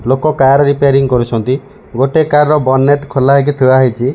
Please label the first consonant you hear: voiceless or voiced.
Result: voiced